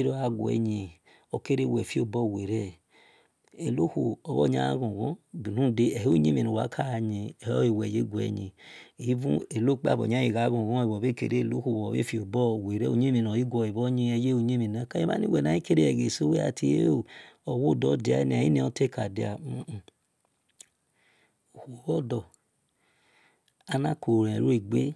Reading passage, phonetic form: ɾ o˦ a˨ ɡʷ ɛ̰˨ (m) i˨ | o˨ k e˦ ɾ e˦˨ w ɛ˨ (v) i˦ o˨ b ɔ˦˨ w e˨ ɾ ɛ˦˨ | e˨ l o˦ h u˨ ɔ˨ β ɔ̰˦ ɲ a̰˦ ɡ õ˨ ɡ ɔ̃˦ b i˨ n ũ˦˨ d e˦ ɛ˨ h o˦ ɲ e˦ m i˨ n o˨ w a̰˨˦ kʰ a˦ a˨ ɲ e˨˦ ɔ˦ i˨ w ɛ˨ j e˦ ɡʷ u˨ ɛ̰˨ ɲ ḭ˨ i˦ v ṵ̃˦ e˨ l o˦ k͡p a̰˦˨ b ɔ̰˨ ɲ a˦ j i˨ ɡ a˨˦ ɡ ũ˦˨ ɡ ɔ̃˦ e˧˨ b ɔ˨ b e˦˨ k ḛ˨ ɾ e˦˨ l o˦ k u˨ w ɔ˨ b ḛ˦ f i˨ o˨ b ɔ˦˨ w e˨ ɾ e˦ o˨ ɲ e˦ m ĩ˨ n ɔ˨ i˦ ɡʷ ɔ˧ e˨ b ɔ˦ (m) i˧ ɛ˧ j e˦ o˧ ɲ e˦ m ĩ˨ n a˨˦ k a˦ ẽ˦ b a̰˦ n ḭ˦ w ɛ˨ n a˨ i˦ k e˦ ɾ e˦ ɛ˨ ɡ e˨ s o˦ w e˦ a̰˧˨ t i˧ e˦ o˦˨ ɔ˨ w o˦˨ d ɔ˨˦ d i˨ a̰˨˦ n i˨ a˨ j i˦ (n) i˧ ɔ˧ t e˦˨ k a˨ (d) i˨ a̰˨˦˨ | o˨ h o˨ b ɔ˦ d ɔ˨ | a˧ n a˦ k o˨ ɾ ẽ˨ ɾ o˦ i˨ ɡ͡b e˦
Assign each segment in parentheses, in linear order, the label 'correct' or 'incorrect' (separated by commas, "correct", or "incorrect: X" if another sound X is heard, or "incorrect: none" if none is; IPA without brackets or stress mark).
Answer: incorrect: ɲ, incorrect: f, incorrect: ɲ, correct, correct